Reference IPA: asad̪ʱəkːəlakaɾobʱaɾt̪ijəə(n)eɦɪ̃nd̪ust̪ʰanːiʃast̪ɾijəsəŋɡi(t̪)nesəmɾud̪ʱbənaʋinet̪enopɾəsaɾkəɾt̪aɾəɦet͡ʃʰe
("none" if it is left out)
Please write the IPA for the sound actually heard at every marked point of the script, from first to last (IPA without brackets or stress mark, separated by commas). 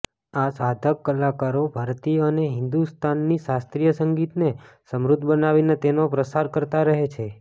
n, t̪